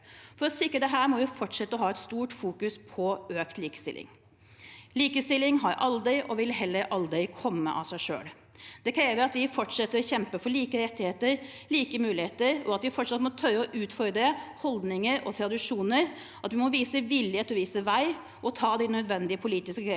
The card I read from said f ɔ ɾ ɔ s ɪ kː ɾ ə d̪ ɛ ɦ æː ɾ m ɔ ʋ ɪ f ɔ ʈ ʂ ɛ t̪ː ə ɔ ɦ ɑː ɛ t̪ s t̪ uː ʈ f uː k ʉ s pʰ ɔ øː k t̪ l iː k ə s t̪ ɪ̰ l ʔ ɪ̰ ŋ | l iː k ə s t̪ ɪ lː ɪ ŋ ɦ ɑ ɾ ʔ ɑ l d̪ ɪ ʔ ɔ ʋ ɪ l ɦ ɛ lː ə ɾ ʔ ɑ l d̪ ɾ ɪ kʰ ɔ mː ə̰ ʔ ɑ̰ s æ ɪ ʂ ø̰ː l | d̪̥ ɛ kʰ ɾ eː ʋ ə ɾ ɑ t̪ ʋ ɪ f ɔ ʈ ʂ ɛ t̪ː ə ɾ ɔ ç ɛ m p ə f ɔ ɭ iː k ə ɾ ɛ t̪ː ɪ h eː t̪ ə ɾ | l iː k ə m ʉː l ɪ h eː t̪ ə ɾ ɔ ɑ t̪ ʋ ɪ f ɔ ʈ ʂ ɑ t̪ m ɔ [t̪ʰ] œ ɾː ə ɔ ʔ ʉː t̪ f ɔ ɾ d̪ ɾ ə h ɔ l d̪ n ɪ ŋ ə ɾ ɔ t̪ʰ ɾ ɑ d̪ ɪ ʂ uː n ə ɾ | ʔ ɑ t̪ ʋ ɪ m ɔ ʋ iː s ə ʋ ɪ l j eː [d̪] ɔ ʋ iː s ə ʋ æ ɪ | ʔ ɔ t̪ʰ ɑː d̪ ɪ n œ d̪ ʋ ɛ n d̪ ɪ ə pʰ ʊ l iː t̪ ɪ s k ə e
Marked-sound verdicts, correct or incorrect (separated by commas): correct, incorrect